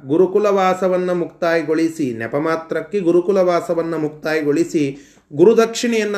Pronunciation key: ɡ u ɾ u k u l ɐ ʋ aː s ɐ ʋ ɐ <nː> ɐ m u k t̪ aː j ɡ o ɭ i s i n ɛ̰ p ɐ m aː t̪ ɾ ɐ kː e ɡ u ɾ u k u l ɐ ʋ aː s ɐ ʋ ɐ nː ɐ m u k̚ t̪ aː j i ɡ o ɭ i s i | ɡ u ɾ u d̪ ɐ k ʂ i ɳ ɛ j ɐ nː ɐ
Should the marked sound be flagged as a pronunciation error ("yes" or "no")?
no